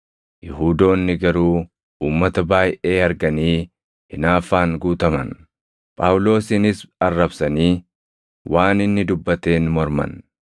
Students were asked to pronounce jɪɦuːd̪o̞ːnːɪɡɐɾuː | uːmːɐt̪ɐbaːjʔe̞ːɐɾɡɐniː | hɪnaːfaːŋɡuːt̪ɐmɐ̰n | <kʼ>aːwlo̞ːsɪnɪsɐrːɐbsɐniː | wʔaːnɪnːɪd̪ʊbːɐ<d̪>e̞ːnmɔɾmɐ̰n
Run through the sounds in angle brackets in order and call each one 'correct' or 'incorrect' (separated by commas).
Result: incorrect, incorrect